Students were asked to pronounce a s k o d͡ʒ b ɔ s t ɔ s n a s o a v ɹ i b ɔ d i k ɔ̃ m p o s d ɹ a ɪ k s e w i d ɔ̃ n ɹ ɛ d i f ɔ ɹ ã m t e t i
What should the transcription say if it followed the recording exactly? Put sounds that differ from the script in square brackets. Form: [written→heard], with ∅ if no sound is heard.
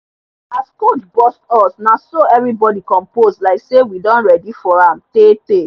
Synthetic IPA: a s k o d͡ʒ b ɔ s t ɔ s n a s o [a→ɛ] v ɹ i b ɔ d i k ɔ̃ m p o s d [ɹ→l] a ɪ k s e w i d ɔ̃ n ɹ ɛ d i f ɔ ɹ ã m t e t [i→e]